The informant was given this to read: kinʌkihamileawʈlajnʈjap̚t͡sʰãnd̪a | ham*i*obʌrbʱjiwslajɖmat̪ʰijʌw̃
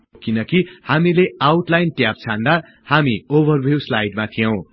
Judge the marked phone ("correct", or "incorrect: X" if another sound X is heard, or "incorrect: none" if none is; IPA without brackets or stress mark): correct